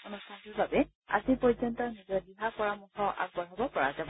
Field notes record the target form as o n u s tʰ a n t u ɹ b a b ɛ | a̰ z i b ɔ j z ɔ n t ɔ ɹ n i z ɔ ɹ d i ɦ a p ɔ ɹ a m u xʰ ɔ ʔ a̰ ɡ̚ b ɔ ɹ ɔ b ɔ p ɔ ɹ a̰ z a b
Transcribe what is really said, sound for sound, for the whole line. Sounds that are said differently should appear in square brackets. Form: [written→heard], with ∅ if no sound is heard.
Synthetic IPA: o n u s tʰ a n t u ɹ b a b ɛ | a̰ z i [b→p] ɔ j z ɔ n t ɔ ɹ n i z ɔ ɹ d i ɦ a p ɔ ɹ a m u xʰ ɔ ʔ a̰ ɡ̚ b ɔ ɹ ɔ b ɔ p ɔ ɹ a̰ z a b

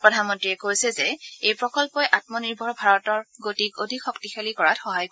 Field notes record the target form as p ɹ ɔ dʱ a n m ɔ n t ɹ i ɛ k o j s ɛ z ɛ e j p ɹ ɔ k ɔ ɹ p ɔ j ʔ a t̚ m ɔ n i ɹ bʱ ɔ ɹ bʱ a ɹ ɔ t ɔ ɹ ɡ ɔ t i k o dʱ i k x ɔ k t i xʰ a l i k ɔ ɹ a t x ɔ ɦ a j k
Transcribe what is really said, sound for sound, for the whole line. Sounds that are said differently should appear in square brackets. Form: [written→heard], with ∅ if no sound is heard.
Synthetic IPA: p ɹ ɔ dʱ a n m ɔ n t ɹ i ɛ k o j s ɛ z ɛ e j p ɹ ɔ k ɔ [ɹ→l] p ɔ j ʔ a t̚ m ɔ n i ɹ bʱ ɔ ɹ bʱ a ɹ ɔ t ɔ ɹ ɡ [ɔ→o] t i k o dʱ i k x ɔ k t i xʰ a l i k ɔ ɹ a t x ɔ ɦ a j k

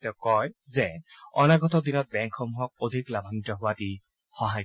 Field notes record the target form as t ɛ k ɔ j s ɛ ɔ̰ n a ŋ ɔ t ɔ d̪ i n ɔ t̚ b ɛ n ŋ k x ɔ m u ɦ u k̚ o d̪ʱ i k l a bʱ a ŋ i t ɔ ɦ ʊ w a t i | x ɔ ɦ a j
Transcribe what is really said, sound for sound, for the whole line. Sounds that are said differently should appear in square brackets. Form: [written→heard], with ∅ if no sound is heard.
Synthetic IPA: t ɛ k ɔ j [s→z] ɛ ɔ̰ n a [ŋ→ɡ] ɔ t ɔ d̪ i n ɔ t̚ b ɛ [n→∅] ŋ k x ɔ m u ɦ [u→ɔ] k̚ o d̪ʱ i k l a bʱ a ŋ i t ɔ ɦ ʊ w a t i | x ɔ ɦ a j

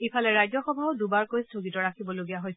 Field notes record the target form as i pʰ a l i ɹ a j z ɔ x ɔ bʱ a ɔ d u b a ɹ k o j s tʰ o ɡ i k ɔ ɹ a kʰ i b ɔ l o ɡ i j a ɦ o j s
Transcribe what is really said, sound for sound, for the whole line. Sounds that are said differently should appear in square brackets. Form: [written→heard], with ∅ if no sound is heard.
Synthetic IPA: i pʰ a l [i→ɛ] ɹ a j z ɔ x ɔ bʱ a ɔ d u b a ɹ k o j s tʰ o ɡ i [k→t] ɔ ɹ a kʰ i b ɔ l o ɡ i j a ɦ o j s

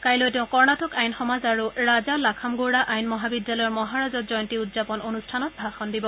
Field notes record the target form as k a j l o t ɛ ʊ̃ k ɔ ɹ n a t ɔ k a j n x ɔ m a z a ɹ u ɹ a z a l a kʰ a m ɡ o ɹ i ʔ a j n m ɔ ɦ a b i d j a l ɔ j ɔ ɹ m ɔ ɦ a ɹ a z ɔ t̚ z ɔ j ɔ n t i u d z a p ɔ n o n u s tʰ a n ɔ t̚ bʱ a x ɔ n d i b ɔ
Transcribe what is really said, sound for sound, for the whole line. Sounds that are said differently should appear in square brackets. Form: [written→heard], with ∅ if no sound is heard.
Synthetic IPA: k a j l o t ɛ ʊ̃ k ɔ ɹ n a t ɔ k a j n x ɔ m a z a ɹ u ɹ a z a l a kʰ a m ɡ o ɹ [i→a] ʔ a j n m ɔ ɦ a b i d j a l ɔ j ɔ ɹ m ɔ ɦ a ɹ a z ɔ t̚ z ɔ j ɔ n t i u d z a p ɔ n o n u s tʰ a n ɔ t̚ bʱ a x ɔ n d i b ɔ

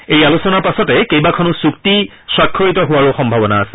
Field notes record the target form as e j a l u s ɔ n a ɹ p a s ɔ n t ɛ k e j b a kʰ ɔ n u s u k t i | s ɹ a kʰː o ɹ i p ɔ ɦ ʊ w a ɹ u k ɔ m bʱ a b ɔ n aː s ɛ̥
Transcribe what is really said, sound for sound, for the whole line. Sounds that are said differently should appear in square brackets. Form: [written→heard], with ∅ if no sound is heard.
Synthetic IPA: e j a l u s ɔ n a ɹ p a s ɔ [n→∅] t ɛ k e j b a kʰ ɔ n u s u k t i | s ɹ a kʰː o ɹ i [p→t] ɔ ɦ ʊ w a ɹ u [k→x] ɔ m bʱ a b ɔ n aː s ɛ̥

